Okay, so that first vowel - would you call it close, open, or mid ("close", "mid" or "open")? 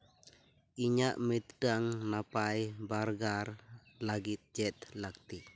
close